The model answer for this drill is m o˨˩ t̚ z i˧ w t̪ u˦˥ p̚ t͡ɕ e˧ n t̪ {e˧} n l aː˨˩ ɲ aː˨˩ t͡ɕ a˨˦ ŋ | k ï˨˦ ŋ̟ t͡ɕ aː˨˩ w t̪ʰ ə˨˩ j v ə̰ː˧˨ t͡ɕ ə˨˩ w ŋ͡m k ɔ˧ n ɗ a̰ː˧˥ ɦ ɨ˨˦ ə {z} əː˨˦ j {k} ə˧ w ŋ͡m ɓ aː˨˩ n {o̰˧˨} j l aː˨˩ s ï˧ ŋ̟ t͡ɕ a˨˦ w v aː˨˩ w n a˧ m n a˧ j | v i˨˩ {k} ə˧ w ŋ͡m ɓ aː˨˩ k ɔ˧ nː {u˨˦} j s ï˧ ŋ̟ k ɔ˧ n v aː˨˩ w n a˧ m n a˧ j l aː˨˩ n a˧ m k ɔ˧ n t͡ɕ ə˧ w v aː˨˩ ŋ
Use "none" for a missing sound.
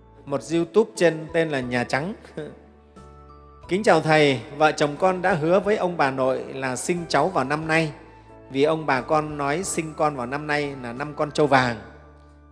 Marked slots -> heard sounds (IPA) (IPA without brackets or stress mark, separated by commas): e˧, v, ʔ, o̰˧˨, ʔ, ɔ˨˦